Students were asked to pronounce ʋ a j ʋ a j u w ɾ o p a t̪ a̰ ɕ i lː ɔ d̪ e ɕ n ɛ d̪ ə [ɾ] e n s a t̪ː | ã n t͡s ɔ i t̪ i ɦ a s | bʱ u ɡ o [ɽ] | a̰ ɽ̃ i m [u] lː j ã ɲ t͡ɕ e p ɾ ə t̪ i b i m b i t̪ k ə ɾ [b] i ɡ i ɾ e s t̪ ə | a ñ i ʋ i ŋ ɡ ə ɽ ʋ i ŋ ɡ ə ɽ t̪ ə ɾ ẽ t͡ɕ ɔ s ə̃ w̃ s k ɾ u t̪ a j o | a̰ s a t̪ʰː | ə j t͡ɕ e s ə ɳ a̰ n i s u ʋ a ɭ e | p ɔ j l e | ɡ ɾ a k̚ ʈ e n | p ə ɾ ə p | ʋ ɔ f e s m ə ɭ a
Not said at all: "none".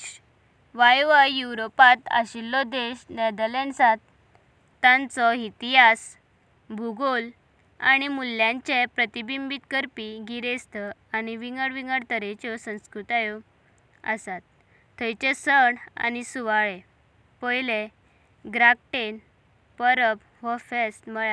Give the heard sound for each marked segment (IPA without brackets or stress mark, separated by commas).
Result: l, l, u, p